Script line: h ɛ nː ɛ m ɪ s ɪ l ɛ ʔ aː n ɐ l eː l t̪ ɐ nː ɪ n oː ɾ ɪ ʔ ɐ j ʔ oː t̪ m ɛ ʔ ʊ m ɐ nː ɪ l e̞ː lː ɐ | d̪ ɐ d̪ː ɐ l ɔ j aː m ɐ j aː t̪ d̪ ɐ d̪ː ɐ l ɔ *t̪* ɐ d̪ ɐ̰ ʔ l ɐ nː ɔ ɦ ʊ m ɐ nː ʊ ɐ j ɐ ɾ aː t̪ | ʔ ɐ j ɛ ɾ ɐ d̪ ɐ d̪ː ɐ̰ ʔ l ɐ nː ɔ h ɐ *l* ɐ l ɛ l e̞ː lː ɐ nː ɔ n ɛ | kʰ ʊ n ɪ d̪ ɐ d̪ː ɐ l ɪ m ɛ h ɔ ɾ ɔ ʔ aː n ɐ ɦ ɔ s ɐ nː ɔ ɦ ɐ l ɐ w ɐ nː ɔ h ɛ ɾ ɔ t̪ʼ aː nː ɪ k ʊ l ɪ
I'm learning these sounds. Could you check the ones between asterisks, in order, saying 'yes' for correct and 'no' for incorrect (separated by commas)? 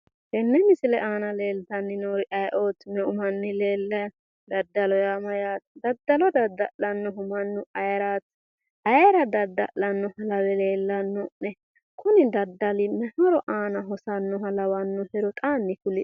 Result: no, yes